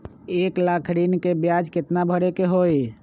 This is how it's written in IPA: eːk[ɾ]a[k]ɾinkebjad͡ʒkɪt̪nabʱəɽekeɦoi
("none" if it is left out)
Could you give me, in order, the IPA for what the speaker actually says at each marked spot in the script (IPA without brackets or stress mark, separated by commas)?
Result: l, kʰ